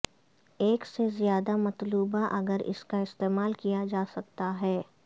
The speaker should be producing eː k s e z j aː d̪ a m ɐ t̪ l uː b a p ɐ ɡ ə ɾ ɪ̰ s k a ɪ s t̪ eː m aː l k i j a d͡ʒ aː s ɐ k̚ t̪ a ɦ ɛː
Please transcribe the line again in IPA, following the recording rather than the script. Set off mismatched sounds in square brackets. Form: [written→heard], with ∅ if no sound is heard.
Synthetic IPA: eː k s e z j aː d̪ a m ɐ t̪ l uː b a [p→ʔ] ɐ ɡ ə ɾ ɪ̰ s k a ɪ s t̪ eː m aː l k i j a d͡ʒ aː s ɐ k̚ t̪ a ɦ ɛː